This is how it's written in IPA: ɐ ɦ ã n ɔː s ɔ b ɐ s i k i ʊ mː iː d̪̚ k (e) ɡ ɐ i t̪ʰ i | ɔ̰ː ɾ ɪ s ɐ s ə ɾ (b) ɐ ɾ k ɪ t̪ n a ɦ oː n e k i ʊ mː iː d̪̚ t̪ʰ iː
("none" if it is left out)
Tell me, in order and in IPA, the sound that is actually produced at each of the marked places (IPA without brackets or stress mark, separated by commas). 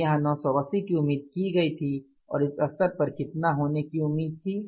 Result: i, p